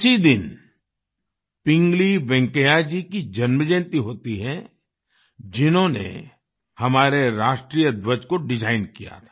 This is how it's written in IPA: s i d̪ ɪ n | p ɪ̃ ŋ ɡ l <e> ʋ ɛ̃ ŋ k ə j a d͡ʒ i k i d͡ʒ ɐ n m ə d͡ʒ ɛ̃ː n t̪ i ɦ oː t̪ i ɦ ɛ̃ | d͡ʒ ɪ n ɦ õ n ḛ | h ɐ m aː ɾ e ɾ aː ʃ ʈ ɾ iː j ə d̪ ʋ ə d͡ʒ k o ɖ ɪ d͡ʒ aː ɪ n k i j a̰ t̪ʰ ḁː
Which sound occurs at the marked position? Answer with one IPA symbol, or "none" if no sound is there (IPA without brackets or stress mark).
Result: i